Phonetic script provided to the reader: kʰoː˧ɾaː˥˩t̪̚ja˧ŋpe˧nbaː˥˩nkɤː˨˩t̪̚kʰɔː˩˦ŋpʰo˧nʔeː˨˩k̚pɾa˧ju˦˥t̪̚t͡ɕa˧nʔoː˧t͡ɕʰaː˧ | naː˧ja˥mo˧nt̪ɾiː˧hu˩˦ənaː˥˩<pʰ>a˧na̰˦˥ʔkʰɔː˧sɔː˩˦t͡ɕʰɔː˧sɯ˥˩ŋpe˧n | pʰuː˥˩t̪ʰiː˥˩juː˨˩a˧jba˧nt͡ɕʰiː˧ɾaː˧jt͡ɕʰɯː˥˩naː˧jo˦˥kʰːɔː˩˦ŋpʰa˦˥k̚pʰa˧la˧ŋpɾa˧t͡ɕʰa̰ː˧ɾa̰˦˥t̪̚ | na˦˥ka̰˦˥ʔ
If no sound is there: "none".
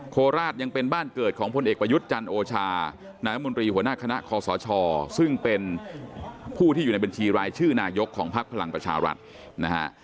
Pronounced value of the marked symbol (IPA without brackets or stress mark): kʰ